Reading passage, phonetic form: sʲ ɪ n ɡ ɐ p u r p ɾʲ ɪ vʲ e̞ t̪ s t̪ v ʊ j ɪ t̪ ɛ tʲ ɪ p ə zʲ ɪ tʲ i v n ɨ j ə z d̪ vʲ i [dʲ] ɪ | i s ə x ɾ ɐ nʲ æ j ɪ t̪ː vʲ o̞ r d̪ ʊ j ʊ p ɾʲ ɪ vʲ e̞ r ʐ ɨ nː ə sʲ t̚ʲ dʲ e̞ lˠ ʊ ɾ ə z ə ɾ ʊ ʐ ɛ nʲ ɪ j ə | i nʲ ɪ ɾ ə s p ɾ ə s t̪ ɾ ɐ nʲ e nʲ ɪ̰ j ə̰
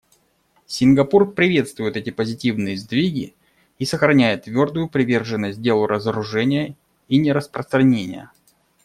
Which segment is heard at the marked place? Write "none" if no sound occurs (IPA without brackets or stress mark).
ɡʲ